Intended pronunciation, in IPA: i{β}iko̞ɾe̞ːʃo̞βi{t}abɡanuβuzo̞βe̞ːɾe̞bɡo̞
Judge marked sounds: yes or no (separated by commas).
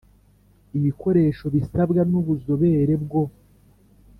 yes, no